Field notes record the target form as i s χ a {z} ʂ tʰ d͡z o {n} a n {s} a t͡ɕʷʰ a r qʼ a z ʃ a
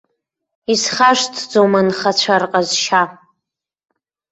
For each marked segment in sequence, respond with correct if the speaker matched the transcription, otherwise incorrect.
incorrect, incorrect, incorrect

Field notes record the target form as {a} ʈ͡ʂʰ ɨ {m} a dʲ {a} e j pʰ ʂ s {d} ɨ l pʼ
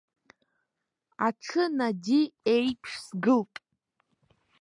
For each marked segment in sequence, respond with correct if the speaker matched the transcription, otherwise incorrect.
correct, incorrect, incorrect, incorrect

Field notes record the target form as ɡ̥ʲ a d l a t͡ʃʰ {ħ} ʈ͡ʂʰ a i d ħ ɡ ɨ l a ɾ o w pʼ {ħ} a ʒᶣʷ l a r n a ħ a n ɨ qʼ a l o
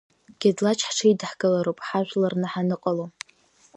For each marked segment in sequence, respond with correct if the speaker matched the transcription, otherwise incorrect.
correct, correct

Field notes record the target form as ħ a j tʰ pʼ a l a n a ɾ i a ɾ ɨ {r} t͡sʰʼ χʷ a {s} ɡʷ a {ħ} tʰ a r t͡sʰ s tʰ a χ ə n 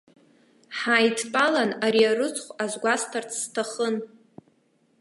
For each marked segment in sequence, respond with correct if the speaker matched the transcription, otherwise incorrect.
incorrect, incorrect, incorrect

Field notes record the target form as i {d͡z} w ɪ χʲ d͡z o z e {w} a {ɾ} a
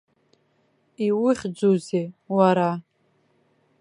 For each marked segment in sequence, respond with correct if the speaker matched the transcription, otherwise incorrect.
incorrect, correct, correct

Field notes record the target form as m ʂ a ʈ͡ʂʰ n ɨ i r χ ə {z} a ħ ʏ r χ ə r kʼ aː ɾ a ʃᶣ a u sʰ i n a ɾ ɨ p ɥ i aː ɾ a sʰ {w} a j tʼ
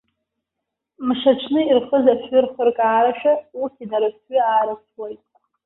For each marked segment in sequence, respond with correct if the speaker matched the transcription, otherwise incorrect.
correct, correct

